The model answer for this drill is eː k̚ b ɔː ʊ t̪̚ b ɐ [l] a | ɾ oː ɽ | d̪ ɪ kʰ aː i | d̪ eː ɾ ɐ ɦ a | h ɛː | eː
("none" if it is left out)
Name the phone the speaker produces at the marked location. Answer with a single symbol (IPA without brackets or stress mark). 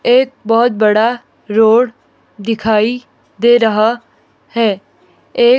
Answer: ɽ